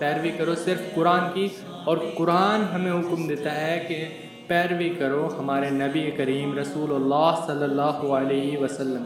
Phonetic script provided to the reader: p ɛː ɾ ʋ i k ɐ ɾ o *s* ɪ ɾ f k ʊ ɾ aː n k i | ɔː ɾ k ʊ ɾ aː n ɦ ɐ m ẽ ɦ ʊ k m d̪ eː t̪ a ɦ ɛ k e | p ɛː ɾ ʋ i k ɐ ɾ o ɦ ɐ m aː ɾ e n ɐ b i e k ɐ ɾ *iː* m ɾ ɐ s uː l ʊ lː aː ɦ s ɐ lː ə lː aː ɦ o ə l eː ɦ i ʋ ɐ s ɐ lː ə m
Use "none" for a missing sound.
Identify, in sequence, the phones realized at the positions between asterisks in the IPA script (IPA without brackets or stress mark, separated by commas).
s, iː